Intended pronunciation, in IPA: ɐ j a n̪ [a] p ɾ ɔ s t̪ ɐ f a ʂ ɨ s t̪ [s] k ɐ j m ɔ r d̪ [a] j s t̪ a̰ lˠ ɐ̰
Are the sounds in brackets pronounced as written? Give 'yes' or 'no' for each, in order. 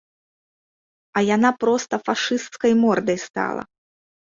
yes, yes, no

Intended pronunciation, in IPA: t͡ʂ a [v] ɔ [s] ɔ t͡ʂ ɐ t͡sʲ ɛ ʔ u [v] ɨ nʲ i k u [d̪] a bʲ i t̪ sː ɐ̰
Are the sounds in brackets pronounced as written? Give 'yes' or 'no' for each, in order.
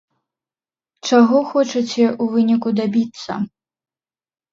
no, no, yes, yes

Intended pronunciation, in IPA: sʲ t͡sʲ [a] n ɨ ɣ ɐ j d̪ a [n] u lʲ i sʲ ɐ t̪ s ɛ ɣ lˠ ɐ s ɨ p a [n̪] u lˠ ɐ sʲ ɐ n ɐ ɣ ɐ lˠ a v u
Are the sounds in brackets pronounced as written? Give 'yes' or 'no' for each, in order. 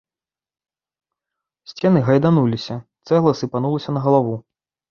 no, yes, yes

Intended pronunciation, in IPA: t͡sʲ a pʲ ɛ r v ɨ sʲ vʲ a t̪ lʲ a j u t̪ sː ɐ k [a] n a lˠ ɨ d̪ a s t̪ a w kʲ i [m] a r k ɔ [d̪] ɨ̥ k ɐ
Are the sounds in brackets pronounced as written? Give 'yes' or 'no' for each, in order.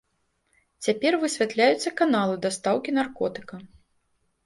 yes, no, no

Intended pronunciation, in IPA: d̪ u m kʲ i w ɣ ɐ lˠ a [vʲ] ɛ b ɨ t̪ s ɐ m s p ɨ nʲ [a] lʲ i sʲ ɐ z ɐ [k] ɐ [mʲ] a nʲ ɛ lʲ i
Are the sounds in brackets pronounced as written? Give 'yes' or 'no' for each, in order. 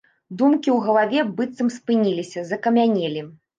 yes, no, yes, yes

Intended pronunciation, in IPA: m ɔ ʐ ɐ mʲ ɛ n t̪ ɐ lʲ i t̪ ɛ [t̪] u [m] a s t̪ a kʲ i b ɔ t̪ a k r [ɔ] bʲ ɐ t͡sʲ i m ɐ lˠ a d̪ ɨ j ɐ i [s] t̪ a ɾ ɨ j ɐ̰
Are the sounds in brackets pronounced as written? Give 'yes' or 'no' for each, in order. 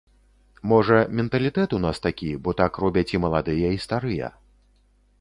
yes, no, yes, yes

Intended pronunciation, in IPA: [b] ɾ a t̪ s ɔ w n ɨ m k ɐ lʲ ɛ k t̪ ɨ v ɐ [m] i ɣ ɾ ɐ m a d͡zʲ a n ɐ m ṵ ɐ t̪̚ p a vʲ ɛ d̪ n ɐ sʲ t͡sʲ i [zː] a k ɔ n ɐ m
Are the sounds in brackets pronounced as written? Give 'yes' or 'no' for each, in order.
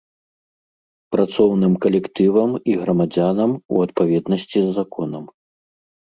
no, yes, yes

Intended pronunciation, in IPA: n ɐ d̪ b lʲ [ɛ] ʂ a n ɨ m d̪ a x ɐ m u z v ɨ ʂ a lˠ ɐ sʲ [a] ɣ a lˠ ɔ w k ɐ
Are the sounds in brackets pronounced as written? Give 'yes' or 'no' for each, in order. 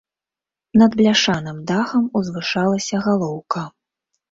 no, no

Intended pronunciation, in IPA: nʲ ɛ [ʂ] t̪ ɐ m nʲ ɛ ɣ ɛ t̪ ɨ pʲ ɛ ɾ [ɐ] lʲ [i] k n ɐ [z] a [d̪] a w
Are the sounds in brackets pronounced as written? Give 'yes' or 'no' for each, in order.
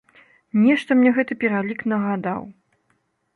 yes, no, yes, no, yes

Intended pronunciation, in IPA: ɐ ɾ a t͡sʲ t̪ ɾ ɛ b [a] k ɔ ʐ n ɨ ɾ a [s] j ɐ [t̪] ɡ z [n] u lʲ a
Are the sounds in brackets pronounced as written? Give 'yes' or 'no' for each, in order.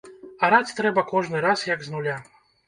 no, yes, no, yes

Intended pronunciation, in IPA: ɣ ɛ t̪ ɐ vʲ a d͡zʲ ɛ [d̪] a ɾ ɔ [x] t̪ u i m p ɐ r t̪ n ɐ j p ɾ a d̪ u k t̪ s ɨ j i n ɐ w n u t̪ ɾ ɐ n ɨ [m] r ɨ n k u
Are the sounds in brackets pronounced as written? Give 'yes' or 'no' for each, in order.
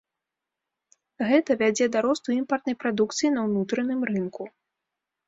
yes, no, yes

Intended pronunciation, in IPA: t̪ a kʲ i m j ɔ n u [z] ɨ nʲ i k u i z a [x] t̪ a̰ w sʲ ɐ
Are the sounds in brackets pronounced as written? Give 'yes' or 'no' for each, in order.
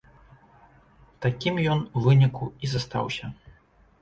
no, no

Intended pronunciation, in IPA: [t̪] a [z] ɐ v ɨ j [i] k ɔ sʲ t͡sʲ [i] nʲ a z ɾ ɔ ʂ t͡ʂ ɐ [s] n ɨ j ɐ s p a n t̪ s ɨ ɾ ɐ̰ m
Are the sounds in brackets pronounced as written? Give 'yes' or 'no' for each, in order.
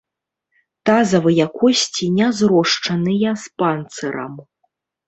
yes, yes, no, yes, no

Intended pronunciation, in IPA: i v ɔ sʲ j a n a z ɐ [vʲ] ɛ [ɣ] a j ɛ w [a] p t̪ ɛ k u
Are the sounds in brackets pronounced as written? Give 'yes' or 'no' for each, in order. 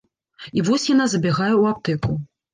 no, yes, yes

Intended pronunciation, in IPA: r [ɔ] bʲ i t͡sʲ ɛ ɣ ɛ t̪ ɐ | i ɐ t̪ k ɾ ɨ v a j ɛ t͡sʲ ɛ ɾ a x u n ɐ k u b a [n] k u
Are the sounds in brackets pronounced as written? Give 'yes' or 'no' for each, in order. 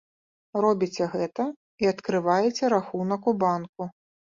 yes, yes

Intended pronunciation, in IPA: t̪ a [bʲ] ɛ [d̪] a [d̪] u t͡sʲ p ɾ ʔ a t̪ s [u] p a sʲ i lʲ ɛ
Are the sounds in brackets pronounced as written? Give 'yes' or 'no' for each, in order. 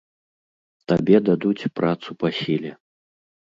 yes, yes, yes, yes

